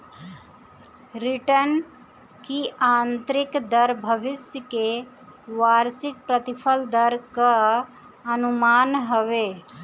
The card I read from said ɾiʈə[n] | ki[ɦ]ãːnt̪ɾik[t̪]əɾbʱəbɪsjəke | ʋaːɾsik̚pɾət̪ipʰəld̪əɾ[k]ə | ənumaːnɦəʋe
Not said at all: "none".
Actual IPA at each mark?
n, none, d̪, k

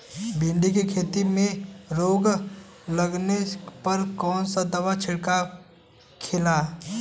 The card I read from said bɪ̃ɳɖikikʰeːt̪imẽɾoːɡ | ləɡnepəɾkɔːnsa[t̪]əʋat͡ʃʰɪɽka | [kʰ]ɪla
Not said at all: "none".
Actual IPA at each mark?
d̪, kʰ

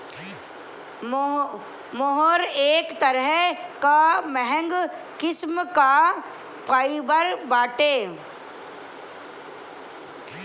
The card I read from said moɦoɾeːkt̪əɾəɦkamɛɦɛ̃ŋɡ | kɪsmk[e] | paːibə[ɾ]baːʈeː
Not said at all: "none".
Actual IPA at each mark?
a, ɾ

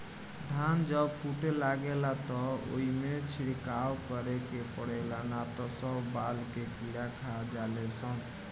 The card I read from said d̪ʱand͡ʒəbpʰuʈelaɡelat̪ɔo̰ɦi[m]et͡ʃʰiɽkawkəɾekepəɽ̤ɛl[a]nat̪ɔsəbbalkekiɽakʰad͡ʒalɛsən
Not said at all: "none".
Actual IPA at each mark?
m, a

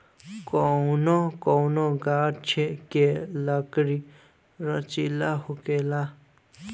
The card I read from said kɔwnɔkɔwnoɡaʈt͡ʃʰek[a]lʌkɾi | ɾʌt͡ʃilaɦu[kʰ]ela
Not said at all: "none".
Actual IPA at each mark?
e, k

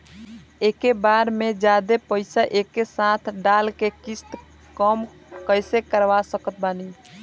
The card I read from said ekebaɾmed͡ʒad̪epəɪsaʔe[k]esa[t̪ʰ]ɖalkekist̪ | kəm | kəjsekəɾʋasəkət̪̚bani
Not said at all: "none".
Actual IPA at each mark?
k, t̪ʰ

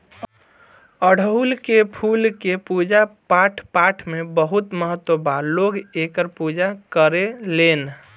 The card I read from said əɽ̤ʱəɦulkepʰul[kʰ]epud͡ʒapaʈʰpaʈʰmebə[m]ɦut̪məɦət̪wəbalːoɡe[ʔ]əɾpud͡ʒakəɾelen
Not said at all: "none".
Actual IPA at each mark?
k, none, k

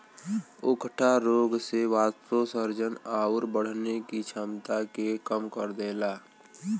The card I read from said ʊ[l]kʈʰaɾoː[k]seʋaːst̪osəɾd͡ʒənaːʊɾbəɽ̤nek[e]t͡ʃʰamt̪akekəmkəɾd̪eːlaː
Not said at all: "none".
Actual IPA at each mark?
none, ɡ, i

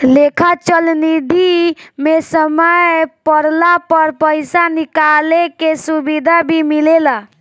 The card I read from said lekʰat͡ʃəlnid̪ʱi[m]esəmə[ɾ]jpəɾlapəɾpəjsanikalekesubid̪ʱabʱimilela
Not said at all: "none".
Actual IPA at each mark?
m, none

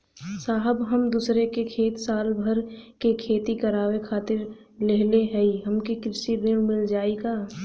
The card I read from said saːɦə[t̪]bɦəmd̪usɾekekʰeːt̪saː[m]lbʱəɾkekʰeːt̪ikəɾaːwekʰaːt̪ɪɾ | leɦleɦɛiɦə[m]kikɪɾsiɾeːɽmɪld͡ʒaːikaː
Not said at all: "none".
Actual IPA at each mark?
none, none, m

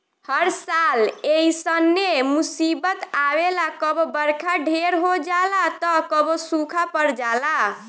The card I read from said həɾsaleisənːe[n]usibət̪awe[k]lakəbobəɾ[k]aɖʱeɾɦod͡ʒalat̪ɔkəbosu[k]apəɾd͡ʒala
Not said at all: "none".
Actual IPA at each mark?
m, none, kʰ, kʰ

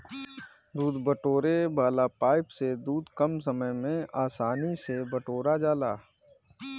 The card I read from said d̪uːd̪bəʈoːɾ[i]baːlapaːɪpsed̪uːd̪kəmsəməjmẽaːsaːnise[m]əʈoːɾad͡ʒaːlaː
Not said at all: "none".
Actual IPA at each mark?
e, b

